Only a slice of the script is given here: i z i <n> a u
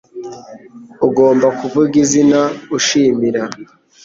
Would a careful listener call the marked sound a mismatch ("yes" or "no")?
no